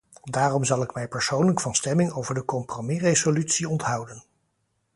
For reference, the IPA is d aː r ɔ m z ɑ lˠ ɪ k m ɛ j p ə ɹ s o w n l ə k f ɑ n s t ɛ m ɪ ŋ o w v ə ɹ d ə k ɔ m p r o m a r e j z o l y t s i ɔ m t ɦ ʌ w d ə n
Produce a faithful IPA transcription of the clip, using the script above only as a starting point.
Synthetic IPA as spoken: d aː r ɔ m z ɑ lˠ ɪ k m ɛ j p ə ɹ s o w n l ə k f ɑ n s t ɛ m ɪ ŋ o w v ə ɹ d ə k ɔ m p r o m i r e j z o l y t s i ɔ n t ɦ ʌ w d ə n